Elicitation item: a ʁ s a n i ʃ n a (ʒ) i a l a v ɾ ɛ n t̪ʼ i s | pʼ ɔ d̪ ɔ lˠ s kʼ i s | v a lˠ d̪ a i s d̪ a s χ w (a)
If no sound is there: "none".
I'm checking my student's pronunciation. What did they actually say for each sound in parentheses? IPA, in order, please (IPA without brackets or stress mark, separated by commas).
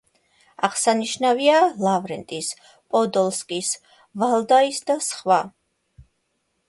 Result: v, a